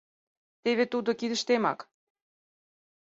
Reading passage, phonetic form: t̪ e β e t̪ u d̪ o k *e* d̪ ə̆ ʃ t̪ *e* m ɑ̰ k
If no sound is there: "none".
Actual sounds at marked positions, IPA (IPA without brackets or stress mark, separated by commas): i, e